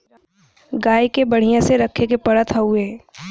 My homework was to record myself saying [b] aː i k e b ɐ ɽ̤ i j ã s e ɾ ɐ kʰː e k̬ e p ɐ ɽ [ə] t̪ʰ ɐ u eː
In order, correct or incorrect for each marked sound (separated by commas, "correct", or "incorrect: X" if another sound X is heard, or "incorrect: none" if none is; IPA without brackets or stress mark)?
incorrect: ɡ, correct